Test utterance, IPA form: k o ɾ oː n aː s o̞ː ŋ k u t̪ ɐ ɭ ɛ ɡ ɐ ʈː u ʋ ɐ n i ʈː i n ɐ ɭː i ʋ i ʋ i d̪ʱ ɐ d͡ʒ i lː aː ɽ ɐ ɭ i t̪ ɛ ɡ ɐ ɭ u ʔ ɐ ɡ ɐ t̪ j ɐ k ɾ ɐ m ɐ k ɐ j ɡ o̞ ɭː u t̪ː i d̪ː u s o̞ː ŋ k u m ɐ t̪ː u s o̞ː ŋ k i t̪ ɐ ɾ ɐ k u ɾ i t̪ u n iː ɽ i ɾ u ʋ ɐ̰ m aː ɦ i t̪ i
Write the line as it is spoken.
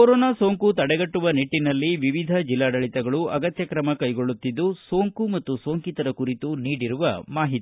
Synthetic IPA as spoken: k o ɾ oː n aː s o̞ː ŋ k u t̪ ɐ ɽ ɛ ɡ ɐ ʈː u ʋ ɐ n i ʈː i n ɐ lː i ʋ i ʋ i d̪ʱ ɐ d͡ʒ i lː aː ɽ ɐ ɭ i t̪ ɛ ɡ ɐ ɭ u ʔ ɐ ɡ ɐ t̪ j ɐ k ɾ ɐ m ɐ k ɐ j ɡ o̞ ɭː u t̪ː i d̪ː u s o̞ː ŋ k u m ɐ t̪ː u s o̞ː ŋ k i t̪ ɐ ɾ ɐ k u ɾ i t̪ u n iː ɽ i ɾ u ʋ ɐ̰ m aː ɦ i t̪ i